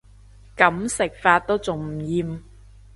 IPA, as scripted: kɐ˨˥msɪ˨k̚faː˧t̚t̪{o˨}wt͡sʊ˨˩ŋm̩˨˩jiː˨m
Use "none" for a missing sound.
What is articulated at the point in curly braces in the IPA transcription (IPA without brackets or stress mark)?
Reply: o˥